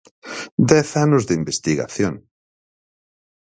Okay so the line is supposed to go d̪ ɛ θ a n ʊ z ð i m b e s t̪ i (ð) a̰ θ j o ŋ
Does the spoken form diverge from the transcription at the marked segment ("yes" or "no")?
yes